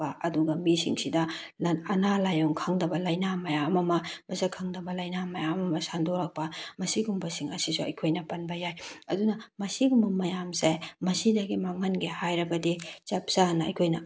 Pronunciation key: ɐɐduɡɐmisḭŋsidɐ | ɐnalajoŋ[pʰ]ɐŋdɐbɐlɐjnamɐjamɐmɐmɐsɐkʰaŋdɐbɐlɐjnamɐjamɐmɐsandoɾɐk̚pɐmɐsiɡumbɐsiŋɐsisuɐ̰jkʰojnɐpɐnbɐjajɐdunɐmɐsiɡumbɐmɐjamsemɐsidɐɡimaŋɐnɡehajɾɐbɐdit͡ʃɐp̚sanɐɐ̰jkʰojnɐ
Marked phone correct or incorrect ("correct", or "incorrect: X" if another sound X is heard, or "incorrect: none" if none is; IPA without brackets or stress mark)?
incorrect: kʰ